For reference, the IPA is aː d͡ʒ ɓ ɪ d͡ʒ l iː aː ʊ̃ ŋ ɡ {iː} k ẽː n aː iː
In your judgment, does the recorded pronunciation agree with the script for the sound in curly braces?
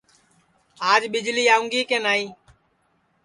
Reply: yes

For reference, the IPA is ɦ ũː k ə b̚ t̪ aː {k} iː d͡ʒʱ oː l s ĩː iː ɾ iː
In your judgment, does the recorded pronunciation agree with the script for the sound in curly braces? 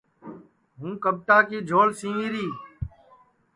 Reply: yes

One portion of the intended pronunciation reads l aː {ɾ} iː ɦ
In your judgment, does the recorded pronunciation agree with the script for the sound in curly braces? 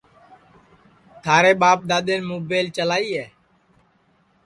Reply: no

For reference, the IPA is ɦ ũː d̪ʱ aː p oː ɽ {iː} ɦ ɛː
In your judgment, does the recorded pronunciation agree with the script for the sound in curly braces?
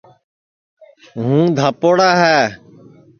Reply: no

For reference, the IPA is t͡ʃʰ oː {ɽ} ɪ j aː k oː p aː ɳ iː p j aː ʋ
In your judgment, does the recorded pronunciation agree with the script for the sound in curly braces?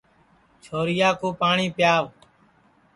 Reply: no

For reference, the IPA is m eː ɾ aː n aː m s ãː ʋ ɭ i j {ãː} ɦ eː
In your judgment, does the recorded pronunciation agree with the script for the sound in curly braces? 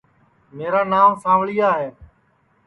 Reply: no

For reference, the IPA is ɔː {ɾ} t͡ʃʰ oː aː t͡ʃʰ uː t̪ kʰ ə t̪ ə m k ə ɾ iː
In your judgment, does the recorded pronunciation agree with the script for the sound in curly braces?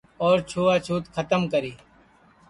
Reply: yes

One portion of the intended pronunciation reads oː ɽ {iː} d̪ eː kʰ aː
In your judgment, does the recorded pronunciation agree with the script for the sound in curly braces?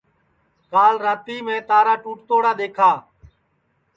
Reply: no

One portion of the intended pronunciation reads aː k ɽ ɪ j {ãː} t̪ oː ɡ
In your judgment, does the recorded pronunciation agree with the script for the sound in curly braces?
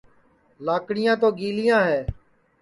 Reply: yes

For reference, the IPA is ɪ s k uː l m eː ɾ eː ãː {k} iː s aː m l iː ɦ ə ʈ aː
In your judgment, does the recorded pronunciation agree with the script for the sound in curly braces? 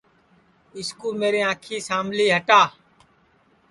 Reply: no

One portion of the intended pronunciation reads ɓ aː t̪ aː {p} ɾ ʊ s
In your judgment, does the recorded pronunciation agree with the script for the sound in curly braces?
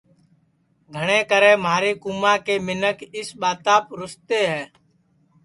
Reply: yes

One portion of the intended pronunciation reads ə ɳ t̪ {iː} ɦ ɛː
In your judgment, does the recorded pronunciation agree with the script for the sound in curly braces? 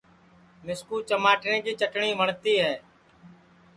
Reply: yes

